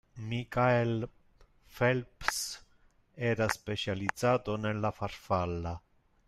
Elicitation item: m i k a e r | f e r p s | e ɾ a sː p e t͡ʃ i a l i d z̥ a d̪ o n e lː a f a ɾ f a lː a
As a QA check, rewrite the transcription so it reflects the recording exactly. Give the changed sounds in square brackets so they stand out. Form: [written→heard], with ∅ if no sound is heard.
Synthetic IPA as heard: m i k a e [r→l] | f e [r→l] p s | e ɾ a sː p e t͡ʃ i a l i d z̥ a [d̪→t̪] o n e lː a f a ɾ f a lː a